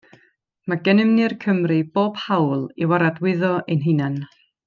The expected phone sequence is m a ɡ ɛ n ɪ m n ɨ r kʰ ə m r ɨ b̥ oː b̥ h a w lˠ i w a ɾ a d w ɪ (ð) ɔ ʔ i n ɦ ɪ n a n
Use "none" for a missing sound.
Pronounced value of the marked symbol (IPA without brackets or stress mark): ð